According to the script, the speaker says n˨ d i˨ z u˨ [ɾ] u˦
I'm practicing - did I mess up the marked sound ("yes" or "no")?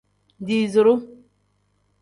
no